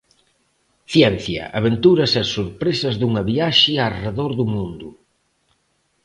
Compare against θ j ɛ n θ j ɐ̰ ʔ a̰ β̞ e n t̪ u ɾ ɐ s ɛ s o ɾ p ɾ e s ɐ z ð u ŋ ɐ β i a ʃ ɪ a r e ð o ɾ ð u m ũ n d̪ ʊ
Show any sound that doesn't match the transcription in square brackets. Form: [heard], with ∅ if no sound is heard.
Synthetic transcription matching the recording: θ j ɛ n θ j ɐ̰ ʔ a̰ β̞ e n t̪ u ɾ ɐ s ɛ s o ɾ p ɾ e s ɐ z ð u ŋ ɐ β i a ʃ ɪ a r e ð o ɾ ð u m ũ n d̪ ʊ